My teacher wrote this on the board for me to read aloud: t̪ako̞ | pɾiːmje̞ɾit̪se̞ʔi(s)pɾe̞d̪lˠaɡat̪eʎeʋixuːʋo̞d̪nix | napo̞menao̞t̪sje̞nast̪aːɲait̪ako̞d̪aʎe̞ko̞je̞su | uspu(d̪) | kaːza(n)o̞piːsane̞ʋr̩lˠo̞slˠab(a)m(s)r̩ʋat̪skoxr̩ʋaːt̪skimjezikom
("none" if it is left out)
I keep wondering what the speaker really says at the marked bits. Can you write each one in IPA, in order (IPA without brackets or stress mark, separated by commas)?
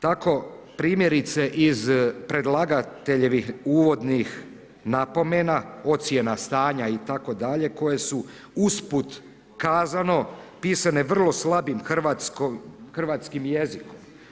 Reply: z, t̪, n, i, x